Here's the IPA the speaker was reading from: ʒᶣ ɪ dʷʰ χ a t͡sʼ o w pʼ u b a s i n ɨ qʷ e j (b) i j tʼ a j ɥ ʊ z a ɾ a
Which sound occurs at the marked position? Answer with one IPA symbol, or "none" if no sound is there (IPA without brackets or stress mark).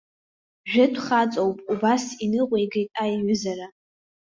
ɡ